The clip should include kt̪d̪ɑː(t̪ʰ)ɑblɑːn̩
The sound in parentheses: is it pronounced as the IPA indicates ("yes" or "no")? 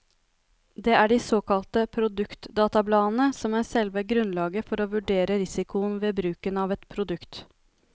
no